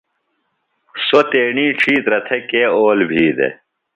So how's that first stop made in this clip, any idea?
plain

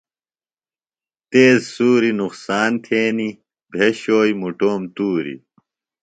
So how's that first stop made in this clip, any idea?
plain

